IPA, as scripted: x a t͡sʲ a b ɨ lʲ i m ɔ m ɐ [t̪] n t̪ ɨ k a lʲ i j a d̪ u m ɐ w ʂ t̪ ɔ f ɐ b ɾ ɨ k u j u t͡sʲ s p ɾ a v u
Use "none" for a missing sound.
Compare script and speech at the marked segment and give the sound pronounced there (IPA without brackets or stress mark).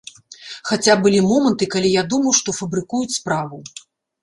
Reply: none